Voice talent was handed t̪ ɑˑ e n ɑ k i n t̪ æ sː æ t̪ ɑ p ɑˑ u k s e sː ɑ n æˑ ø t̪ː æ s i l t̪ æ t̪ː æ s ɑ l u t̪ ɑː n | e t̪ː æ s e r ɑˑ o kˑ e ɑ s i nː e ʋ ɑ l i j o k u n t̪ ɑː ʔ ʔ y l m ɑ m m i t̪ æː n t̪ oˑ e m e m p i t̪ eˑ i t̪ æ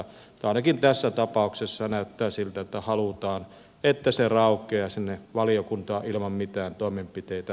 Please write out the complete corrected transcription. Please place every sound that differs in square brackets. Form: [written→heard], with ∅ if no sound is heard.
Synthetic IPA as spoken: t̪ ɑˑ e n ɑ k i n t̪ æ sː æ t̪ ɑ p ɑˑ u k s e sː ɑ n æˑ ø t̪ː [æ→æː] s i l t̪ æ t̪ː æ [s→h] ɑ l u t̪ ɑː n | e t̪ː æ s e r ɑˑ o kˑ e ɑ s i nː e ʋ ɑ l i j o k u n t̪ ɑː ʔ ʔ [y→i] l m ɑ m m i t̪ æː n t̪ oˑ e m e m p i t̪ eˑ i t̪ æ